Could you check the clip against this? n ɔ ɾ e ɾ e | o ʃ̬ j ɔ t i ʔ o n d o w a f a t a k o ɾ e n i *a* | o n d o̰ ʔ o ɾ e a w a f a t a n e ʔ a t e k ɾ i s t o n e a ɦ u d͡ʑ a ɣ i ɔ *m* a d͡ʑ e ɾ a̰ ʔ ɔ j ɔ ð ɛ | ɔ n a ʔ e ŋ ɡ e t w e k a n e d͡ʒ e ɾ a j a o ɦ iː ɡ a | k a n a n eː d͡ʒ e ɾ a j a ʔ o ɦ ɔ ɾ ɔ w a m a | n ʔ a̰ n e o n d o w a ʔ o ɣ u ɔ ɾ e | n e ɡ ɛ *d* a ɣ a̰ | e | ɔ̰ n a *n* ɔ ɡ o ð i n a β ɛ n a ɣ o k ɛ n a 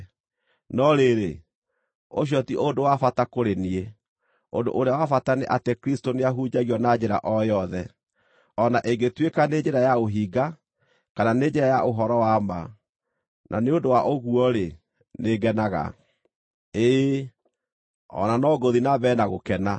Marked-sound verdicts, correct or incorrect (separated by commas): incorrect, incorrect, incorrect, correct